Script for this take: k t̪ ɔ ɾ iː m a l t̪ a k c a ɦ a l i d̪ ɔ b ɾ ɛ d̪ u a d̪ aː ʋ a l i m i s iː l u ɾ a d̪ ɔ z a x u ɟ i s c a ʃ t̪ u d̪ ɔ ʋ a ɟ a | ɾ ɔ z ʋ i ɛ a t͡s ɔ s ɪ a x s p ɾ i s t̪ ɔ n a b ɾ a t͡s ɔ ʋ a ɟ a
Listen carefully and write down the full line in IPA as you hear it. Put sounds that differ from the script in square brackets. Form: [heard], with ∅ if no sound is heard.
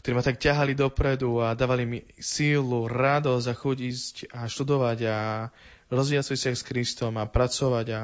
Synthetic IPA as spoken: k t̪ ɔ ɾ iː m a [∅] t̪ a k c a ɦ a l i d̪ ɔ [p] ɾ ɛ d̪ u a d̪ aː ʋ a l i m i s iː l u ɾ a d̪ ɔ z a x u ɟ i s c a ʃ t̪ u d̪ ɔ ʋ a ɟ a | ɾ ɔ z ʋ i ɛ a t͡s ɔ s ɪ a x s [k] ɾ i s t̪ ɔ [m] a [p] ɾ a t͡s ɔ ʋ a ɟ a